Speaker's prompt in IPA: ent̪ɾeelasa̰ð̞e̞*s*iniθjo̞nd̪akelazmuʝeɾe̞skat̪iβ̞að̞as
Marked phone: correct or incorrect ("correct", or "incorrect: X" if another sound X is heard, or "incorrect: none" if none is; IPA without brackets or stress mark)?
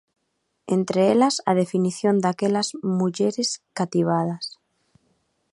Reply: incorrect: f